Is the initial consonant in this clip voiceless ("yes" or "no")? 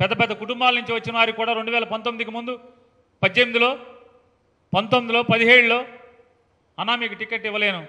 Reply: yes